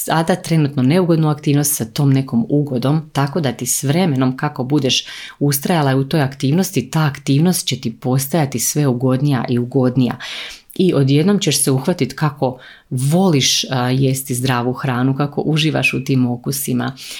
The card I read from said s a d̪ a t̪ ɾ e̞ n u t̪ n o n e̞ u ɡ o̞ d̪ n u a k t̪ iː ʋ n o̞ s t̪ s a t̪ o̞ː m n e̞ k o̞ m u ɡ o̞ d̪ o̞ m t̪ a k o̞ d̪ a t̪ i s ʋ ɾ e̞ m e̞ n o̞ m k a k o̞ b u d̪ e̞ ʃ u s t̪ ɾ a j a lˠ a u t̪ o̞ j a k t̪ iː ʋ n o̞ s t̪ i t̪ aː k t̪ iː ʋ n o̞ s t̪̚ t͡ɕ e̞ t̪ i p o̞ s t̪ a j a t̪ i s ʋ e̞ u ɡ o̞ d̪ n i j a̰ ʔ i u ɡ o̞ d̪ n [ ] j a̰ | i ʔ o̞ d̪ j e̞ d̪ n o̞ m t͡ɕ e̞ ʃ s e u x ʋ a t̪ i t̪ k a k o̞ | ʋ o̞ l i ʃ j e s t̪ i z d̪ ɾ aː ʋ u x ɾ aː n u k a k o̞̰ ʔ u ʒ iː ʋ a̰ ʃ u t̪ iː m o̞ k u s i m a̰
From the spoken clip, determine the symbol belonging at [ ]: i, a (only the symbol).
i